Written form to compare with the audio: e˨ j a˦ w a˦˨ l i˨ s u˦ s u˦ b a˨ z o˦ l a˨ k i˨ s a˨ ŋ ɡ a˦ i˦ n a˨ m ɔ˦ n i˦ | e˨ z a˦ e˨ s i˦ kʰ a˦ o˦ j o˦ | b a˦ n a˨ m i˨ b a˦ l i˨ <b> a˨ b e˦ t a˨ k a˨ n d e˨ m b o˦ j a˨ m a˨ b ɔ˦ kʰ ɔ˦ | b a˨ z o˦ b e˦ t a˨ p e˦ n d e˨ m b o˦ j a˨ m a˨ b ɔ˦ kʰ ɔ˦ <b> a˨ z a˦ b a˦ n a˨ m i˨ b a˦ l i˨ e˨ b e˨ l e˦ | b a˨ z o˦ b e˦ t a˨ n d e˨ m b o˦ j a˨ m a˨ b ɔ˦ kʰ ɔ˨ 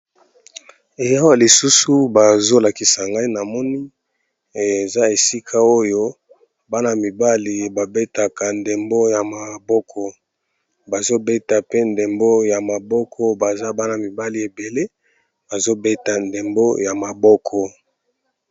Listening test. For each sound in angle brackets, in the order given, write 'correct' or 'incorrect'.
correct, correct

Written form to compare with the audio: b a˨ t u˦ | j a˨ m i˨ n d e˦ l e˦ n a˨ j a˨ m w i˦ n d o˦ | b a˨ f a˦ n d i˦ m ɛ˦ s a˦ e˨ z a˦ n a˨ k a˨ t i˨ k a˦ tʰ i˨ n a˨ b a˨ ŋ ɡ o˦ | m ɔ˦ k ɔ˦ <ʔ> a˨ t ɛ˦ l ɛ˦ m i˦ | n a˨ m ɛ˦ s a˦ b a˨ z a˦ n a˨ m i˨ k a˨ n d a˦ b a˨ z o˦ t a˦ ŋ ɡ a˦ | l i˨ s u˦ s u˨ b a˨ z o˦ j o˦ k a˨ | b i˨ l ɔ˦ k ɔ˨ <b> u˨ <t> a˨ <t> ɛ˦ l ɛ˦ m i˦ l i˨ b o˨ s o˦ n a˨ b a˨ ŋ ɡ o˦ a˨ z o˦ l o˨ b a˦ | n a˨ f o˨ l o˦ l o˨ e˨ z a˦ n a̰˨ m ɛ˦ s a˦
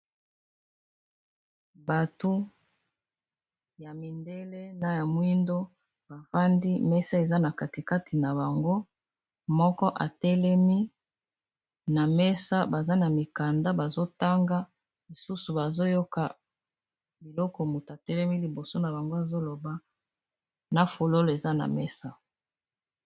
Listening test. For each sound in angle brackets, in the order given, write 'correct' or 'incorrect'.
correct, incorrect: m, correct, correct

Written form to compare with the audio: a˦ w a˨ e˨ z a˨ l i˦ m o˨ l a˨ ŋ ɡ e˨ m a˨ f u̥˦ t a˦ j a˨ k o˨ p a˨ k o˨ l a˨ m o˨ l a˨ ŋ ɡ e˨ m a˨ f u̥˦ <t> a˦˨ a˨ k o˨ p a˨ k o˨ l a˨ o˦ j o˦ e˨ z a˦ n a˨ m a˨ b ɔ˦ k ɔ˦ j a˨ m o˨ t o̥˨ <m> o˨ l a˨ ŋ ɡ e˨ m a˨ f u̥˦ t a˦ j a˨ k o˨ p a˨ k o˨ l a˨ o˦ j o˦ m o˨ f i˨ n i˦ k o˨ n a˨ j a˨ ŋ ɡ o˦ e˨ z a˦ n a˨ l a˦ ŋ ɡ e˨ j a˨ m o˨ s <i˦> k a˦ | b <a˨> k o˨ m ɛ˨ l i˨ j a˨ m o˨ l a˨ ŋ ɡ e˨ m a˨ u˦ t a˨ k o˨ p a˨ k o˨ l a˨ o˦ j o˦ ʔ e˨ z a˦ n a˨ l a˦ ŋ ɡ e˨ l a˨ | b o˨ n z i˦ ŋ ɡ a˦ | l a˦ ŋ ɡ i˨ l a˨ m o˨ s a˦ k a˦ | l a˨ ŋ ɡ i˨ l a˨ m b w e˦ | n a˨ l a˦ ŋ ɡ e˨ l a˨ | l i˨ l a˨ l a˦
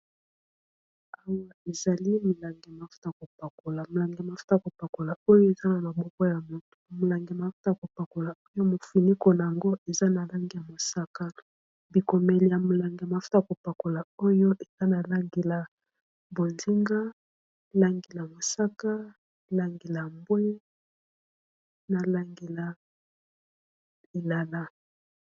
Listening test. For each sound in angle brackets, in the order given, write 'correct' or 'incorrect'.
correct, correct, incorrect: a˦, incorrect: i˨

